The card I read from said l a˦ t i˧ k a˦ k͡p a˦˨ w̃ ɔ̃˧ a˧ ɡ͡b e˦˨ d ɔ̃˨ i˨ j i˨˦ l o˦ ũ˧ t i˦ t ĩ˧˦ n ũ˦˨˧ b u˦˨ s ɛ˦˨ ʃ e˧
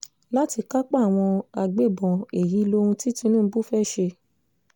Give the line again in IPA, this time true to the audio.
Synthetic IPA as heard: l a˦ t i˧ k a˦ k͡p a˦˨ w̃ ɔ̃˧ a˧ ɡ͡b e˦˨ b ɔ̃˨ e˨ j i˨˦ l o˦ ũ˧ t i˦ t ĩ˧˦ n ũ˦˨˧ b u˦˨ f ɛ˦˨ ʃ e˧

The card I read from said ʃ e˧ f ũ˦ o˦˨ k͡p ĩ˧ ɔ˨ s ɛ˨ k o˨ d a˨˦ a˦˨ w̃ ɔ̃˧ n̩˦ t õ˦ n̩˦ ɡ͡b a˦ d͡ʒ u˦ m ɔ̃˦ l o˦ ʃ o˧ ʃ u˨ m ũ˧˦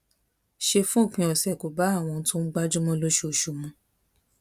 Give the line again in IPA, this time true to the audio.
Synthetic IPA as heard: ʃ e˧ f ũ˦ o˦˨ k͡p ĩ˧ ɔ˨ s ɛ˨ k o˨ b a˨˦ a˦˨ w̃ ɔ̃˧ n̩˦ t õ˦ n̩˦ ɡ͡b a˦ d͡ʒ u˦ m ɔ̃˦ l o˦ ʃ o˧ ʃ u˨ m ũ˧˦

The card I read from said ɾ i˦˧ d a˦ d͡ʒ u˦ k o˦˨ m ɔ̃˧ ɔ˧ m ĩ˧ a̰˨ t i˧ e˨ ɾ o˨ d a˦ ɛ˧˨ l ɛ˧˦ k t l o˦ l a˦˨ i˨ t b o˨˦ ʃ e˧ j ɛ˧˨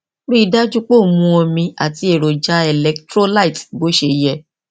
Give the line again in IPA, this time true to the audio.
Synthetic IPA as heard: ɾ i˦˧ d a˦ d͡ʒ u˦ k͡p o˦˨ m ũ˧ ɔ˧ m ĩ˧ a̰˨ t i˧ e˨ ɾ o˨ d͡ʒ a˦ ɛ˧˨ l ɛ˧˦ k t ɾ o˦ l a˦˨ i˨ t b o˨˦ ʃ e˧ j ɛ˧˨

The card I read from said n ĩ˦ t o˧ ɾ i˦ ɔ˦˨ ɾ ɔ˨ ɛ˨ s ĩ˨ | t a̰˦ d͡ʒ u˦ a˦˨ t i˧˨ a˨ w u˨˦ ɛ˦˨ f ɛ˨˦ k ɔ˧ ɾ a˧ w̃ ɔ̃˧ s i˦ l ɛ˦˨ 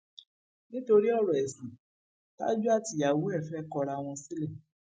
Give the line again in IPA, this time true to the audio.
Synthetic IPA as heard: n ĩ˦ t o˧ ɾ i˦ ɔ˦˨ ɾ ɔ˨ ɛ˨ s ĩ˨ | t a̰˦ d͡ʒ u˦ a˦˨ t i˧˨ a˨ w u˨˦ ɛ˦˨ f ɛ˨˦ k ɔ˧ ɾ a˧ w̃ ɔ̃˧ s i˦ l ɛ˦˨

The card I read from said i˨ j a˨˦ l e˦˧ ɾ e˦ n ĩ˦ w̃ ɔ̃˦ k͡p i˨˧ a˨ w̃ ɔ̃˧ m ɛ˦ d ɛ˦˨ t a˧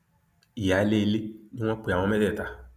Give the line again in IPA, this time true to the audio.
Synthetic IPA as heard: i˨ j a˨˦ l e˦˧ l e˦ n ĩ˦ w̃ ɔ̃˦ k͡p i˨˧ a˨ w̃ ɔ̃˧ m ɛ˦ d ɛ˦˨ t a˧

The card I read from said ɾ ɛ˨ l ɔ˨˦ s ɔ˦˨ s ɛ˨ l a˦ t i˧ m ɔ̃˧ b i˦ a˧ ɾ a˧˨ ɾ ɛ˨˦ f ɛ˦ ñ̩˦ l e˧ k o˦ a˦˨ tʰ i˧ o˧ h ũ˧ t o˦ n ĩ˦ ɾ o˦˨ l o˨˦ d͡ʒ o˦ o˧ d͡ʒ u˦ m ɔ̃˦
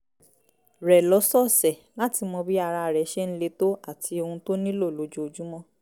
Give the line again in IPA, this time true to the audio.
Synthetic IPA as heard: ɾ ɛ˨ l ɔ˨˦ s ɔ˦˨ s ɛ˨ l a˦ t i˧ m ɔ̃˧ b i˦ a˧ ɾ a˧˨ ɾ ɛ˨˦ ʃ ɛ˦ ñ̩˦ l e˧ t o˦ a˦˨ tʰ i˧ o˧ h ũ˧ t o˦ n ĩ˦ l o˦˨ l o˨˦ d͡ʒ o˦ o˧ d͡ʒ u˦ m ɔ̃˦

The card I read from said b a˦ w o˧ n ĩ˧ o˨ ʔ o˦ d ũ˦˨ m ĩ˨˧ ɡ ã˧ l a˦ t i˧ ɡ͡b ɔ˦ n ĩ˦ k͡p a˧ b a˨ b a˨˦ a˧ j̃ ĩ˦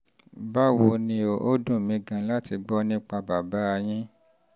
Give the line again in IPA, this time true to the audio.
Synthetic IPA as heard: b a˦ w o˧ n ĩ˧ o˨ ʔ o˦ d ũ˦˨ m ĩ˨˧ ɡ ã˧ l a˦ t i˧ ɡ͡b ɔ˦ n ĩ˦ k͡p a˧ b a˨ b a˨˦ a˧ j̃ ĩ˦

